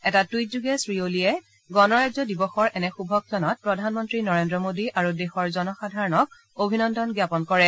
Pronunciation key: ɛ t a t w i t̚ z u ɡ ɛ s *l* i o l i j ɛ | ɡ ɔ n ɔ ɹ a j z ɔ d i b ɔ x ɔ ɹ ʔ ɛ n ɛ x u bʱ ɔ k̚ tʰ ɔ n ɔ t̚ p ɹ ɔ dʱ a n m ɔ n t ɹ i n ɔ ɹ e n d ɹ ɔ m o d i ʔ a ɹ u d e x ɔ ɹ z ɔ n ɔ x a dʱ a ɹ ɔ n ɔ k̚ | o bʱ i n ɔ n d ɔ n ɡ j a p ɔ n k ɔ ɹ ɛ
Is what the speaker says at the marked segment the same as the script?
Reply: no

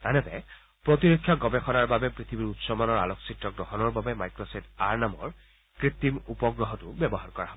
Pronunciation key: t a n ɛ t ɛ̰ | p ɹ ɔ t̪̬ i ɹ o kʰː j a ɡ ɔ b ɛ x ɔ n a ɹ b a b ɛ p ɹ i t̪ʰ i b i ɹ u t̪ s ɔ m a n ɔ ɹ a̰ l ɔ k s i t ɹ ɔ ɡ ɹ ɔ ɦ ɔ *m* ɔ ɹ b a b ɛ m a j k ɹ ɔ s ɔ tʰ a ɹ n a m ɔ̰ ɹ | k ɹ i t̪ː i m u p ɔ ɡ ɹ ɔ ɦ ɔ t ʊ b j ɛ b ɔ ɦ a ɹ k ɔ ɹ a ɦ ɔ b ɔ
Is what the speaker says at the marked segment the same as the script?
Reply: no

